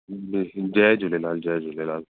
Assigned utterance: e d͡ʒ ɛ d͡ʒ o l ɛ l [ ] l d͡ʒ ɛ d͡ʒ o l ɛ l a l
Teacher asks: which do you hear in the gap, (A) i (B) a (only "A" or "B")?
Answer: B